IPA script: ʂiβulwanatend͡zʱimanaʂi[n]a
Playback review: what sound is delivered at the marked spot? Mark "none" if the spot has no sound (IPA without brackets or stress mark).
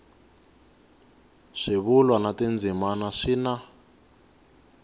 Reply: n